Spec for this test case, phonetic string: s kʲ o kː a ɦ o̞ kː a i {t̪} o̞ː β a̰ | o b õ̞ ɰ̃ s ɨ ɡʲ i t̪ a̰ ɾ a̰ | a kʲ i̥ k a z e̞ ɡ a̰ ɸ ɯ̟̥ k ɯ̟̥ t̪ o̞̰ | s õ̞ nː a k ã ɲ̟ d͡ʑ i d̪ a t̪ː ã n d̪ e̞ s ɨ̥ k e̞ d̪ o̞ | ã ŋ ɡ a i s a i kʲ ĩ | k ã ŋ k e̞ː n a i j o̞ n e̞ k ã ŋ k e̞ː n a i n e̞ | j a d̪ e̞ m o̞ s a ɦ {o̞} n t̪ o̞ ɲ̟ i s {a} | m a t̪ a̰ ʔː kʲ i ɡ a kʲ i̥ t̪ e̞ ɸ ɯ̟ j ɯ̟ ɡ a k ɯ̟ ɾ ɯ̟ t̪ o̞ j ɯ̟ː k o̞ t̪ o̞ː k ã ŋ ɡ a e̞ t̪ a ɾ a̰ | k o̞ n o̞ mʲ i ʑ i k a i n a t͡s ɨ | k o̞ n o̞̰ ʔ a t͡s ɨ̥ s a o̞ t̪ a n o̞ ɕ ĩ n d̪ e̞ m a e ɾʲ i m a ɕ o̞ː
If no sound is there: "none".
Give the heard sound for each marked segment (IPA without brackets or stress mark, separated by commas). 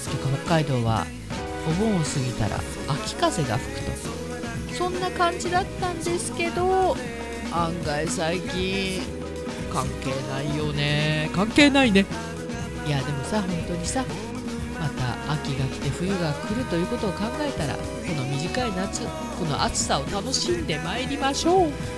d̪, õ̞, a